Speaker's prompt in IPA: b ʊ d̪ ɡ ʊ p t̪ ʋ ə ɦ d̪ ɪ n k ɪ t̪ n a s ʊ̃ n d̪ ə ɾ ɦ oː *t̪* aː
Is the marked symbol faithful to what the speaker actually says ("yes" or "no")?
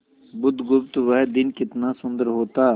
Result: yes